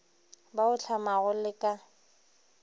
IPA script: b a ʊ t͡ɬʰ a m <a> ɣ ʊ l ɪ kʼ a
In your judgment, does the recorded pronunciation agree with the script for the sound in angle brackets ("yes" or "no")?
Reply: yes